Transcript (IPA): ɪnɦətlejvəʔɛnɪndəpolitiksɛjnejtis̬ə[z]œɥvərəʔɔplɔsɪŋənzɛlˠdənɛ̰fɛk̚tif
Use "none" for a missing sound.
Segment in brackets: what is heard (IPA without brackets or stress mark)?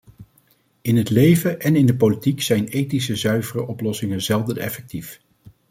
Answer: z